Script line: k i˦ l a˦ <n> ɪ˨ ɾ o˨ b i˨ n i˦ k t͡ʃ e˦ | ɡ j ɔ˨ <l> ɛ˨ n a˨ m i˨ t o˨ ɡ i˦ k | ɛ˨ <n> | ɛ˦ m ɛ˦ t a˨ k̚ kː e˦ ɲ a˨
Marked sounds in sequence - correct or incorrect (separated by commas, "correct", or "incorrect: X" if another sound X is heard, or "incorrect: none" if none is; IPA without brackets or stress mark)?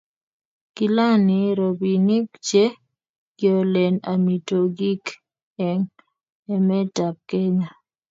correct, correct, incorrect: ŋ